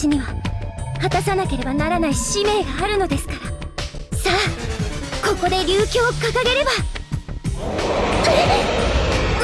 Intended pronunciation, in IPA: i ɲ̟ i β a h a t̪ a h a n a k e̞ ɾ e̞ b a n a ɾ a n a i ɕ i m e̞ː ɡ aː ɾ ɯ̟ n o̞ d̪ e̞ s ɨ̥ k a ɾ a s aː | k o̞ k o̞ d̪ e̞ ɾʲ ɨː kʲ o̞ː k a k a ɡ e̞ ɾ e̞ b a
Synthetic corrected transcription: i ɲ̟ i β a h a t̪ a s a n a k e̞ ɾ e̞ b a n a ɾ a n a i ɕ i m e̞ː ɡ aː ɾ ɯ̟ n o̞ d̪ e̞ s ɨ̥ k a ɾ a s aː | k o̞ k o̞ d̪ e̞ ɾʲ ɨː kʲ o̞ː k a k a ɡ e̞ ɾ e̞ b a